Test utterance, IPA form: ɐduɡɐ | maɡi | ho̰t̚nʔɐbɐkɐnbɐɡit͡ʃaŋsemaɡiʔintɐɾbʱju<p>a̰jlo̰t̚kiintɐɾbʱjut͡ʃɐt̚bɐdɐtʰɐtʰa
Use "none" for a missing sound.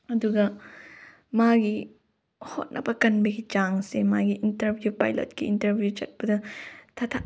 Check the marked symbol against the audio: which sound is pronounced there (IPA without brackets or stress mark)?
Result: p